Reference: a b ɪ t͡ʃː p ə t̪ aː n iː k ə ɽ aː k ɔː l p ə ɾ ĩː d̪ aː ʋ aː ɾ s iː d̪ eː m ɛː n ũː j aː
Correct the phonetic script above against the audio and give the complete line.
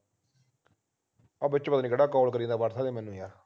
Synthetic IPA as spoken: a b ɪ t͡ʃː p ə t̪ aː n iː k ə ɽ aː k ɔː l k ə ɾ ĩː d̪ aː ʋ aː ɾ s aː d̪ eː m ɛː n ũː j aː

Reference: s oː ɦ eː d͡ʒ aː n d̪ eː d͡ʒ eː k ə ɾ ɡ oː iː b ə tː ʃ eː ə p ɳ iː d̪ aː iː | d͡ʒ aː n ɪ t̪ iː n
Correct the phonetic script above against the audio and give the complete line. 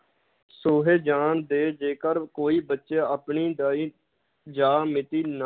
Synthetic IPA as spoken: s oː ɦ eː d͡ʒ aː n d̪ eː d͡ʒ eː k ə ɾ k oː iː b ə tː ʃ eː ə p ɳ iː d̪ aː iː | d͡ʒ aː m ɪ t̪ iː n

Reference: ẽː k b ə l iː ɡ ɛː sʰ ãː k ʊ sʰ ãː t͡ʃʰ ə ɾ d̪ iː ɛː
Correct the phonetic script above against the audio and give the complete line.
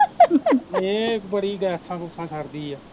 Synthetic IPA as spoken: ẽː k b ə ɽ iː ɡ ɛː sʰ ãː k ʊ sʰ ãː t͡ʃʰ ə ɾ d̪ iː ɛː

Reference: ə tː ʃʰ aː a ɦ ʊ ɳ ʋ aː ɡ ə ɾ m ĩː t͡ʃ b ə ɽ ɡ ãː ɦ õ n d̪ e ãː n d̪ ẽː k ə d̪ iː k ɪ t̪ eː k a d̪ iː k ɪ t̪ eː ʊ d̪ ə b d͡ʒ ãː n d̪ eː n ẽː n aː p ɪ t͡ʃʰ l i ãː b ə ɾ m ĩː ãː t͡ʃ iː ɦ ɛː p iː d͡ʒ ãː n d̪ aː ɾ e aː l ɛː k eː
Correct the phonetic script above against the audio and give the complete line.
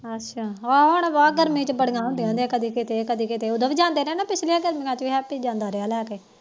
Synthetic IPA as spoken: ə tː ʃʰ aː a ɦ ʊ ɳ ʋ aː ɡ ə ɾ m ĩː t͡ʃ b ə ɽ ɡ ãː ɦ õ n d̪ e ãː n d̪ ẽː k ə d̪ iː k ɪ t̪ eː k ə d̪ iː k ɪ t̪ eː ʊ d̪ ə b d͡ʒ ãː n d̪ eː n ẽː n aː p ɪ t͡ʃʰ l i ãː ɡ ə ɾ m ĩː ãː t͡ʃ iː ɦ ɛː p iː d͡ʒ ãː n d̪ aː ɾ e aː l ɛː k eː

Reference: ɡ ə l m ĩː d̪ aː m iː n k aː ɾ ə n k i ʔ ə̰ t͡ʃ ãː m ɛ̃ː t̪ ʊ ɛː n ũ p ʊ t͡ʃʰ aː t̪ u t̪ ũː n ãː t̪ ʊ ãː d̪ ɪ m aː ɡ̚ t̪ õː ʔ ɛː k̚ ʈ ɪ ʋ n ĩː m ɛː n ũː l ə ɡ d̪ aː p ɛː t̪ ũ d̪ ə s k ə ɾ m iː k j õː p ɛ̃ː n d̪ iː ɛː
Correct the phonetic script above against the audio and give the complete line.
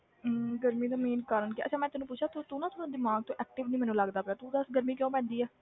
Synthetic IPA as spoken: ɡ ə ɾ m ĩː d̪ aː m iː n k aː ɾ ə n k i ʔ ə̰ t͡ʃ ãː m ɛ̃ː t̪ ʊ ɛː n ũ p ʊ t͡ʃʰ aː t̪ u t̪ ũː n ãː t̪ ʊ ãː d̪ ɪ m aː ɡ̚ t̪ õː ʔ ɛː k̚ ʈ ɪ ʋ n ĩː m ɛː n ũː l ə ɡ d̪ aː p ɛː t̪ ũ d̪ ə s ɡ ə ɾ m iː k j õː p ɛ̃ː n d̪ iː ɛː

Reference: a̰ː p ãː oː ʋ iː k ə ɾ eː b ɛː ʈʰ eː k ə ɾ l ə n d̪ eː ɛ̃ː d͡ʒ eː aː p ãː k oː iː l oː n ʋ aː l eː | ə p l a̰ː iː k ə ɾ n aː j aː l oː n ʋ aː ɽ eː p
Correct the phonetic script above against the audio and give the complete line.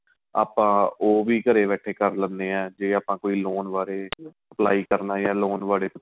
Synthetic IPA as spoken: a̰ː p ãː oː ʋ iː k ə ɾ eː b ɛː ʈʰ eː k ə ɾ l ə n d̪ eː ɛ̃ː d͡ʒ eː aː p ãː k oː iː l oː n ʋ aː ɾ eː | ə p l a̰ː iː k ə ɾ n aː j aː l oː n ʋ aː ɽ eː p

